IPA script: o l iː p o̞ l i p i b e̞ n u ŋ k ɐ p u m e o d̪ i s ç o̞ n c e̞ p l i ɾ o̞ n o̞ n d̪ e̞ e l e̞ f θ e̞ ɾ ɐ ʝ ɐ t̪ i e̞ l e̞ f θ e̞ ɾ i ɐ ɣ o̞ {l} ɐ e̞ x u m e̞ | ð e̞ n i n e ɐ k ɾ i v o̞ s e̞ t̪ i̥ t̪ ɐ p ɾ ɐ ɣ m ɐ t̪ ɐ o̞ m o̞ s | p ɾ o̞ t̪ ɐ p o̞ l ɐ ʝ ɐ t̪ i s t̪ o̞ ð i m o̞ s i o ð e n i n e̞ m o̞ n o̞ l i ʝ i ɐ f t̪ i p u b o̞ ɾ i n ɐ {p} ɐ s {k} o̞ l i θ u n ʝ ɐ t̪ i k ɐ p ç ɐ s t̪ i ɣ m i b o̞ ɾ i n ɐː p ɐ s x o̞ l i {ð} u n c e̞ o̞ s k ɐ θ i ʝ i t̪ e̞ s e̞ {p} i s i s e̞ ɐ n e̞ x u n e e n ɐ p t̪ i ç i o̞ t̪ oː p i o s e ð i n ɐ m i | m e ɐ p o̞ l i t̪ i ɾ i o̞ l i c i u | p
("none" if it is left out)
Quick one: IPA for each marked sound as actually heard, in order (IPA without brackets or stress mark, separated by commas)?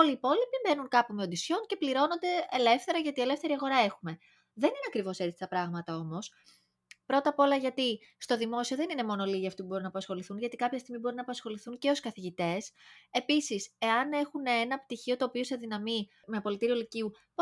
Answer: ɾ, p, x, θ, p